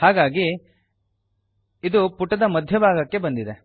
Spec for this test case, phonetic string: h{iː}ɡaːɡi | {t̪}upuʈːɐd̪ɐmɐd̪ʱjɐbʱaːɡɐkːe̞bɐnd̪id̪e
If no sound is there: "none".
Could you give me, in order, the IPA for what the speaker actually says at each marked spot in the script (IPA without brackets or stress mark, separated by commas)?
aː, d̪